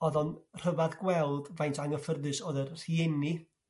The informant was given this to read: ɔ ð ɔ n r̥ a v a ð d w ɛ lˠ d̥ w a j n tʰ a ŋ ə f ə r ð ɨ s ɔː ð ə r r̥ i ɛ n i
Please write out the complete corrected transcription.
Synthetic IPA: ɔ ð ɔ n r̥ ə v a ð ɡ w ɛ lˠ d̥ v a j n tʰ a ŋ ə f ə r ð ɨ s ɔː ð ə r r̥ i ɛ n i